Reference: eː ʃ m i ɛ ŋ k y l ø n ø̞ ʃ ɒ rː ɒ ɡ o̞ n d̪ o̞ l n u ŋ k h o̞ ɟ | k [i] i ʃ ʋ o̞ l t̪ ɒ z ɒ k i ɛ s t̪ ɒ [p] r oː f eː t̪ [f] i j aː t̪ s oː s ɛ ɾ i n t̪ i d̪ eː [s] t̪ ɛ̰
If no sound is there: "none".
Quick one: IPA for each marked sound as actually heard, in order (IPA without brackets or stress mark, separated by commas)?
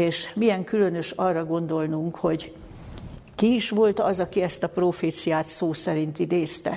i, p, s, s